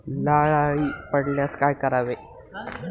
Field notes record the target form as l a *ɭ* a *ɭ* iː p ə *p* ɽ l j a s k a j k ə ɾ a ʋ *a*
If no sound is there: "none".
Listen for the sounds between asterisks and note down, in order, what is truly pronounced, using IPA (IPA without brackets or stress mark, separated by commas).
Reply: ɭ, ɭ, none, e